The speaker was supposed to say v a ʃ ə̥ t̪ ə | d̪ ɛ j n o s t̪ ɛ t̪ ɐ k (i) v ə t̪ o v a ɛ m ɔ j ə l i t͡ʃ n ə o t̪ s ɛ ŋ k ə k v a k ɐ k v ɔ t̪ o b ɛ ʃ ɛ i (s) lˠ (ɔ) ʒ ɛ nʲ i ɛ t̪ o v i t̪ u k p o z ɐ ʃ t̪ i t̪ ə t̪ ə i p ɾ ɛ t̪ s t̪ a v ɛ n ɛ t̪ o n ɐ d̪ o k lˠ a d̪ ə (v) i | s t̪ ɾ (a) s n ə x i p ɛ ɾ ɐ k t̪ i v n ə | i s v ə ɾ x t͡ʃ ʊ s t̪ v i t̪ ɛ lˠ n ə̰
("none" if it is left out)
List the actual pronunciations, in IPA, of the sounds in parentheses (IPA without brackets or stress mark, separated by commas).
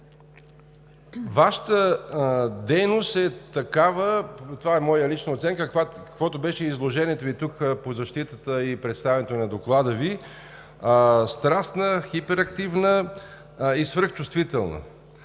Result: a, z, o, v, a